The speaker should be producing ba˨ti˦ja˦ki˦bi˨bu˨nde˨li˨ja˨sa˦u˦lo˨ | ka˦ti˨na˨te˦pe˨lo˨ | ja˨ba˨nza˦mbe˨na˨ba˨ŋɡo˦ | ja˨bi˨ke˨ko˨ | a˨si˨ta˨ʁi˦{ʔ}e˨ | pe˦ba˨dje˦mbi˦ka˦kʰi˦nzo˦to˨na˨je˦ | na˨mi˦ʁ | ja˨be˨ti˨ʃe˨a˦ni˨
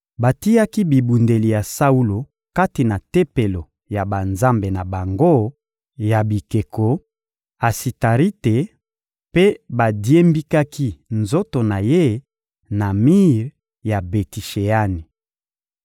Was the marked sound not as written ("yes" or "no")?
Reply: yes